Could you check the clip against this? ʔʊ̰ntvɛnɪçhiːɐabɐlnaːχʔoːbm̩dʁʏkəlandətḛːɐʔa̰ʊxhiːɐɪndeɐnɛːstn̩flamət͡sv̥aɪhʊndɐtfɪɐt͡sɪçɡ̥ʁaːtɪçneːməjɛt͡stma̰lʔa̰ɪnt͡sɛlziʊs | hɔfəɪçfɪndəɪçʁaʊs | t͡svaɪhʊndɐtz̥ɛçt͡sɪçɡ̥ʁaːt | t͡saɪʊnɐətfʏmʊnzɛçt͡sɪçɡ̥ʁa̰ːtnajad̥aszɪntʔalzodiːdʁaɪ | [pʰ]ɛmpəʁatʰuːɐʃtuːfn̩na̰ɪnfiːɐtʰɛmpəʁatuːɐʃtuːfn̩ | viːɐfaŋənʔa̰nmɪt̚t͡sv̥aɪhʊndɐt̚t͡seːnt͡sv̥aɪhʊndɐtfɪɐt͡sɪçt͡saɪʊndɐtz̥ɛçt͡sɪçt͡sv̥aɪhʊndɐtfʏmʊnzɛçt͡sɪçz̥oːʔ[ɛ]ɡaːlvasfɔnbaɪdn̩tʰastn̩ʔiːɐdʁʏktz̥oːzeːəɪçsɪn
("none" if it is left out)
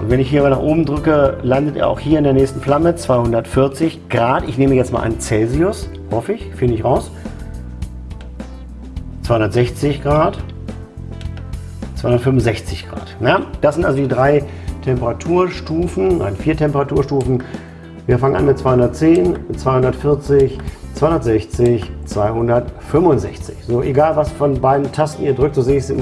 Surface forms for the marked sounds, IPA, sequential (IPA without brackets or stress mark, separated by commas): tʰ, e